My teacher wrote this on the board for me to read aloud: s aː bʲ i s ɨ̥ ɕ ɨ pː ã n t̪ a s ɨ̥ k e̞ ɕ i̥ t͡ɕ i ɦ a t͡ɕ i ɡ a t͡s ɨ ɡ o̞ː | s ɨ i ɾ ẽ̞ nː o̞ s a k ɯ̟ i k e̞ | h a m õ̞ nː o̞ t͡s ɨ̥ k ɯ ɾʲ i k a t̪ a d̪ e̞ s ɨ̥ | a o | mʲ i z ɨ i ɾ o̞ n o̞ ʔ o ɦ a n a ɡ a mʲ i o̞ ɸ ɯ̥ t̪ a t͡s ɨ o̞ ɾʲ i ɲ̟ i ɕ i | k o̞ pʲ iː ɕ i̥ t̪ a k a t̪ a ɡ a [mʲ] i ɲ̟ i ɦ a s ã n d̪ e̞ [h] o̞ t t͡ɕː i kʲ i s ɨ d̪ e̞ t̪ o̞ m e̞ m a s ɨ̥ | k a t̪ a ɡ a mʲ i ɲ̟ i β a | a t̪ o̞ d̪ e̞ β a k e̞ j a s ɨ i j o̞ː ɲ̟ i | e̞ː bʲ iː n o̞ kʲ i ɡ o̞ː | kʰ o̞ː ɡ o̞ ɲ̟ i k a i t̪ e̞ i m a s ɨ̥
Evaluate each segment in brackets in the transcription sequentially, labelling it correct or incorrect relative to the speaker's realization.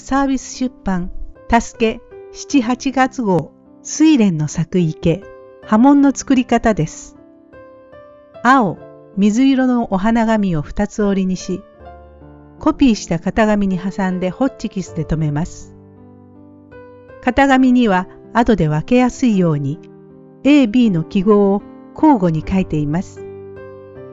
correct, correct

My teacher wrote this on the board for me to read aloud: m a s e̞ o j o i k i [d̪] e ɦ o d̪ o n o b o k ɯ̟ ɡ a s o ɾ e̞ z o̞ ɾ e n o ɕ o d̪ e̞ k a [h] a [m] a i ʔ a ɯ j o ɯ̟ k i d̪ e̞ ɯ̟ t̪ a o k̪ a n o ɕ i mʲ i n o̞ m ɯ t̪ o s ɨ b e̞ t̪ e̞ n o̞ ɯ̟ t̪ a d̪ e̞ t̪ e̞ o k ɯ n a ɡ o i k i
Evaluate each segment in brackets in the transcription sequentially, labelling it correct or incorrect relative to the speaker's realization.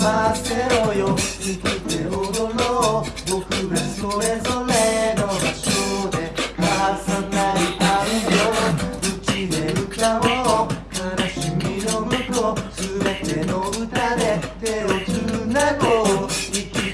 incorrect: t̪, incorrect: s, incorrect: n

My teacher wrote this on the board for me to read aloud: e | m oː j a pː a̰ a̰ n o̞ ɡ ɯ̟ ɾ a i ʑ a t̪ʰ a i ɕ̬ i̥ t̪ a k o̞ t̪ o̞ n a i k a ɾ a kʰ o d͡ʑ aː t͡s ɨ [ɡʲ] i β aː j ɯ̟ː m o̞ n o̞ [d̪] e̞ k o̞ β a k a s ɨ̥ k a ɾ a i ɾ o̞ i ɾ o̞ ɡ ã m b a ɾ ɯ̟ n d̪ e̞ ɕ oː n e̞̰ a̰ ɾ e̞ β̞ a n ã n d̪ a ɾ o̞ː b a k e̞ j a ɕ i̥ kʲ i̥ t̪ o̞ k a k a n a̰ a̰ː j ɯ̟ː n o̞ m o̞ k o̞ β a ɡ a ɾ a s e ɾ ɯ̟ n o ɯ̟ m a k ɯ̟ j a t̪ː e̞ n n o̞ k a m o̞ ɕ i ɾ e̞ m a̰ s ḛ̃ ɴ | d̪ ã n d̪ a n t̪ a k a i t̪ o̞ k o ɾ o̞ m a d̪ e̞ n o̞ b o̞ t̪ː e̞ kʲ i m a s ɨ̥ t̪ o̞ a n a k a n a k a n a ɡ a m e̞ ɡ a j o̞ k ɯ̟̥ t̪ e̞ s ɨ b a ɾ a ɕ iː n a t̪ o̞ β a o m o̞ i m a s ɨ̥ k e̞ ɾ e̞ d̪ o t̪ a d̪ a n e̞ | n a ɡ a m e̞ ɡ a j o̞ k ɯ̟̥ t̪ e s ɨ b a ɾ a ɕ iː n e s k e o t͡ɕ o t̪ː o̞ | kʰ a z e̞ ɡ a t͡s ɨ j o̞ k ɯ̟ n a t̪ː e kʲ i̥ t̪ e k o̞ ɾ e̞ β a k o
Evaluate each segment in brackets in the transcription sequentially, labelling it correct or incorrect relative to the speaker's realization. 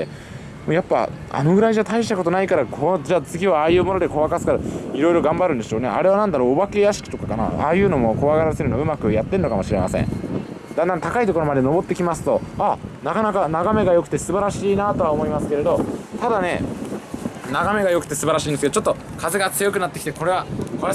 correct, correct

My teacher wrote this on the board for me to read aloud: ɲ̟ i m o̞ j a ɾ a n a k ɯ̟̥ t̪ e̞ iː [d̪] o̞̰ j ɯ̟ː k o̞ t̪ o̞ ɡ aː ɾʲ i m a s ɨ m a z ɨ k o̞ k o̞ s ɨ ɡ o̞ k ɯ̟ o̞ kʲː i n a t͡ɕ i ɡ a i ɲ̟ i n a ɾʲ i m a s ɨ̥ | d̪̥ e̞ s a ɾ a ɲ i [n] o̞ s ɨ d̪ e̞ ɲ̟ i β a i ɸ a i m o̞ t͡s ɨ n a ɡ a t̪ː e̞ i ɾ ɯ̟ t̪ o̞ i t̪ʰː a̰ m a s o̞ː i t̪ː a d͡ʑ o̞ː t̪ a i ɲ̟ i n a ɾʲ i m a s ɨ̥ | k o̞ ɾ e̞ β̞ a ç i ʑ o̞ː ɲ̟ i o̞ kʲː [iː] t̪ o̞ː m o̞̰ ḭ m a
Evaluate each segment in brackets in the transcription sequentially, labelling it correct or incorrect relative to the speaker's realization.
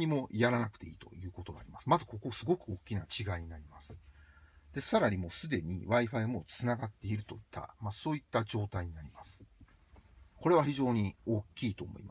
incorrect: t̪, incorrect: m, correct

